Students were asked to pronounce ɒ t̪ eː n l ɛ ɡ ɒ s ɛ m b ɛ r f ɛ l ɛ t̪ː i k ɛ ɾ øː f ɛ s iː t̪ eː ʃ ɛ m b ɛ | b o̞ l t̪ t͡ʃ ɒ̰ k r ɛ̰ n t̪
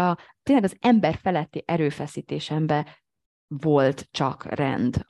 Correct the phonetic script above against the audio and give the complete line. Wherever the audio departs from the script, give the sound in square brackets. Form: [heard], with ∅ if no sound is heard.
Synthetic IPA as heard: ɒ t̪ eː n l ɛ ɡ ɒ [z] ɛ m b ɛ r f ɛ l ɛ t̪ː i [ʔ] ɛ ɾ øː f ɛ s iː t̪ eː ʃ ɛ m b ɛ | [v] o̞ l t̪ t͡ʃ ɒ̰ k r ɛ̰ n [d̪]